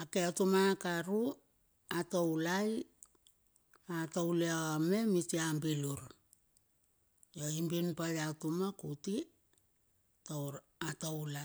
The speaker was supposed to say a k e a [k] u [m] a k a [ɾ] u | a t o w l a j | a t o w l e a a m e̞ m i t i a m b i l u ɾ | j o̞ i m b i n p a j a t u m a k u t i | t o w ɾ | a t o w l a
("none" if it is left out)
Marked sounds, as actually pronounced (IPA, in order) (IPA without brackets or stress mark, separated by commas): t, m, ɾ